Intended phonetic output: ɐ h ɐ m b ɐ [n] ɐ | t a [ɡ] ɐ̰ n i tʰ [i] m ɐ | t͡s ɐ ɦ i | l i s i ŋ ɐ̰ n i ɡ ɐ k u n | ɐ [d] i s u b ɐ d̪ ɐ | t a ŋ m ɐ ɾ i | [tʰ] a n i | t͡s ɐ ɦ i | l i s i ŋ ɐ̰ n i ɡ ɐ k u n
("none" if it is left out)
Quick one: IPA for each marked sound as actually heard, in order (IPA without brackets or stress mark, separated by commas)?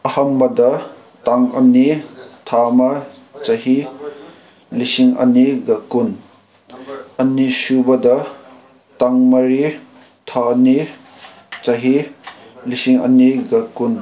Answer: d, ŋ, a, n, tʰ